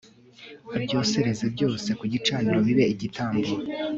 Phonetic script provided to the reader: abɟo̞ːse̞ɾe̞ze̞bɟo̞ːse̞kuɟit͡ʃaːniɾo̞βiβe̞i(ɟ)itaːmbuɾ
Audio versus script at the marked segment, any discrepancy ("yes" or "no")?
no